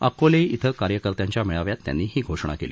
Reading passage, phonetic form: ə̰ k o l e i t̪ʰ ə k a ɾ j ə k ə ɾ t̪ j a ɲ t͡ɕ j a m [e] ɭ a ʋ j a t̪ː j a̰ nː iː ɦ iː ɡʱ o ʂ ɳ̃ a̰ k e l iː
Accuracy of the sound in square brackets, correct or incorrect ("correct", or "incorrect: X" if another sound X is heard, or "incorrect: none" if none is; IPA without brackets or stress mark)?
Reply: incorrect: i